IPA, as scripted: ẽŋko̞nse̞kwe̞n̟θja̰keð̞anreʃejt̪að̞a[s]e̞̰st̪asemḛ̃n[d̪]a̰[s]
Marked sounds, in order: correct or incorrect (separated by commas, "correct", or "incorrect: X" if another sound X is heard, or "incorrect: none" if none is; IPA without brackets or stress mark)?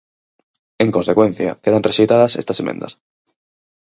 correct, correct, correct